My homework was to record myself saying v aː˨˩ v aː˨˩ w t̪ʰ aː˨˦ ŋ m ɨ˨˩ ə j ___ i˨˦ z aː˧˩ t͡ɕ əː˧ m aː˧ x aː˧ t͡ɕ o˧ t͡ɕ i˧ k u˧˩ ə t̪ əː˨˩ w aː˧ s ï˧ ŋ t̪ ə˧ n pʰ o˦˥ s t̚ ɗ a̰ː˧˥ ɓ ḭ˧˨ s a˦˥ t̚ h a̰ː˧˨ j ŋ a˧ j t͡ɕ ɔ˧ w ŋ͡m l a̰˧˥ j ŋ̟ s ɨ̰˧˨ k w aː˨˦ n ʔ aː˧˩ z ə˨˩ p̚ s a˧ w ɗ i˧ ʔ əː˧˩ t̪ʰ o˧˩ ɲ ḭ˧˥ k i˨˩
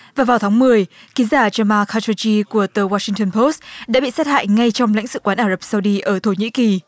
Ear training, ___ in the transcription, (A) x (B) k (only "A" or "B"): B